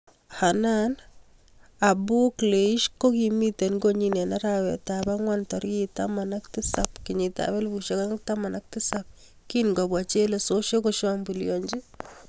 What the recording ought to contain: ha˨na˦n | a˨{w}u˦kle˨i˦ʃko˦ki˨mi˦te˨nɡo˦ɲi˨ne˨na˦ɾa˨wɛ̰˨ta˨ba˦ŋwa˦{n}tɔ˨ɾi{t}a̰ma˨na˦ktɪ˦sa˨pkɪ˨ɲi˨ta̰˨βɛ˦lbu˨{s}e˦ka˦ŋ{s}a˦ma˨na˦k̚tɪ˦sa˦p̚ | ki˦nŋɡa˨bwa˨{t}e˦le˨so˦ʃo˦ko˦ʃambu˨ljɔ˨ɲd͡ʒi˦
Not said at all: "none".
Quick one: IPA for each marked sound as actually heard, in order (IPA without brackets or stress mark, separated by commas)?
b, n, t, ʃ, t, t͡ʃ